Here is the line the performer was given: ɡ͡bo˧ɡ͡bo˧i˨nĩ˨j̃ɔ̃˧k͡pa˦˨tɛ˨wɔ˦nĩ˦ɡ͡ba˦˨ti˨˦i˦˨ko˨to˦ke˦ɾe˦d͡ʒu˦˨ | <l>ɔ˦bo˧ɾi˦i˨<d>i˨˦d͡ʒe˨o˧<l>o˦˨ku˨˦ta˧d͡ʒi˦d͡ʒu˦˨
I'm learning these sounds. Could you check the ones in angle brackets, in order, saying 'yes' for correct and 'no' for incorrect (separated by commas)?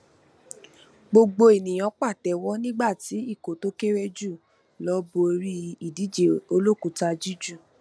yes, yes, yes